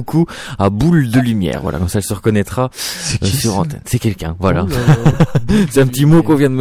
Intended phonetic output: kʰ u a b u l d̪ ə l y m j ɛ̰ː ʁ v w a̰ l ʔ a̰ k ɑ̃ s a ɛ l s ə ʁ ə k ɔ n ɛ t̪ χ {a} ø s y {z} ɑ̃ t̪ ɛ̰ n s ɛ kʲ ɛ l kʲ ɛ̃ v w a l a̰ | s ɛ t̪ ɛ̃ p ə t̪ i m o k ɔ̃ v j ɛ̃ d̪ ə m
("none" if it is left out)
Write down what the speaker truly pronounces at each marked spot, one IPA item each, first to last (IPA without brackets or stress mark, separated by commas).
a, ʁ